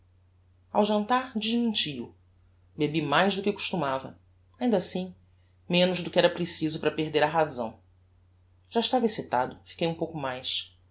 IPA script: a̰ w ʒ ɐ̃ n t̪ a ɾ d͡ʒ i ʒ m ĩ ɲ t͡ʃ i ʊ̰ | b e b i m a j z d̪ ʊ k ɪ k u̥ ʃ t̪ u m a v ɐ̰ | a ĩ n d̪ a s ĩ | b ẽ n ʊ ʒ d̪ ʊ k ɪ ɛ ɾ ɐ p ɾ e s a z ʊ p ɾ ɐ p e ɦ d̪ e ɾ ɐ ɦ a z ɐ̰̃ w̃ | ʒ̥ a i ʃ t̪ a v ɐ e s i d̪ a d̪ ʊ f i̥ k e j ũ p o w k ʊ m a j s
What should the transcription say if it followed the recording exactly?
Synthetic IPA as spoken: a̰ w ʒ ɐ̃ n t̪ a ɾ d͡ʒ i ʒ m ĩ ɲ t͡ʃ i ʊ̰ | b e b i m a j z d̪ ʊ k ɪ k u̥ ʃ t̪ u m a v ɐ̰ | a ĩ n d̪ a s ĩ | m ẽ n ʊ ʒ d̪ ʊ k ɪ ɛ ɾ ɐ p ɾ e s i z ʊ p ɾ ɐ p e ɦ d̪ e ɾ ɐ ɦ a z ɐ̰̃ w̃ | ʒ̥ a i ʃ t̪ a v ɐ e s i t̪ a d̪ ʊ f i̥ k e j ũ p o w k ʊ m a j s